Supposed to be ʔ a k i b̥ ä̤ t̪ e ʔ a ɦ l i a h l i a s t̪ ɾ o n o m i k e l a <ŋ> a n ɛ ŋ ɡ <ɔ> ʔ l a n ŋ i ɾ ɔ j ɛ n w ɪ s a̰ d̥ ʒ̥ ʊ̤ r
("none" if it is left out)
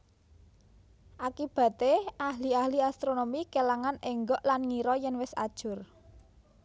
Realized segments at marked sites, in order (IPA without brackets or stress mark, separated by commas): ŋ, ɔ